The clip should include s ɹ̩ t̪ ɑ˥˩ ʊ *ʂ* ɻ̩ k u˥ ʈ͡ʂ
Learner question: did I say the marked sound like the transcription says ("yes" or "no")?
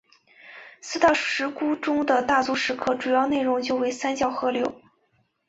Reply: yes